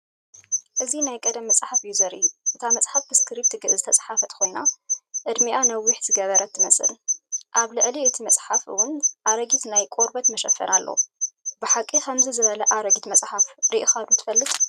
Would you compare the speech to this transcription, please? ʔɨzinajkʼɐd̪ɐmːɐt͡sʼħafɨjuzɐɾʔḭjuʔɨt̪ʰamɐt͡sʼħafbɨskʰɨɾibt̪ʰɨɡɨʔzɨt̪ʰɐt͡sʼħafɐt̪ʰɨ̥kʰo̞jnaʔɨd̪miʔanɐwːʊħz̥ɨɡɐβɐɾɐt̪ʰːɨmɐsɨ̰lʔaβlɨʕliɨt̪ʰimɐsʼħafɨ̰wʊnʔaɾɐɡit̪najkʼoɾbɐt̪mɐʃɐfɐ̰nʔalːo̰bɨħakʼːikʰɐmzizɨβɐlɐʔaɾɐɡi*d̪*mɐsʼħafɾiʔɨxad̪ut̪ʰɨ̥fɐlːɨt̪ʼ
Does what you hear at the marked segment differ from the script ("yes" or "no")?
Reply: yes